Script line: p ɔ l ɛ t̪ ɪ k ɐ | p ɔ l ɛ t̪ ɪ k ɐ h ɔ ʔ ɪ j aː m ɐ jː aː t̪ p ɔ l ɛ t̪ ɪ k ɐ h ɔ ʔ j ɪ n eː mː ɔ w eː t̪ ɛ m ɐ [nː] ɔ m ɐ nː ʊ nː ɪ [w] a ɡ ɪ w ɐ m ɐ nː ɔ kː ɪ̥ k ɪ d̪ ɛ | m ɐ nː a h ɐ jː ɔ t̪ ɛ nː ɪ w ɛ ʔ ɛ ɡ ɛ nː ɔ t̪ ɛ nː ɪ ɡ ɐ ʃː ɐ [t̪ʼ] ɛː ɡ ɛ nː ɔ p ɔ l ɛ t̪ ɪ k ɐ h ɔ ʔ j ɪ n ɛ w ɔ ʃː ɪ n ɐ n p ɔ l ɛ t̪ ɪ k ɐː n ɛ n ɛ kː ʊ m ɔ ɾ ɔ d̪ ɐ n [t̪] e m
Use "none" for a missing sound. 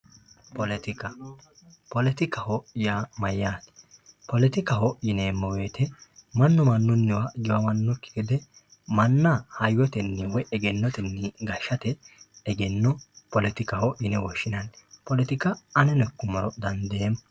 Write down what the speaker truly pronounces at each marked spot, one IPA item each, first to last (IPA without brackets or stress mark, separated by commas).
nː, w, t̪, d̪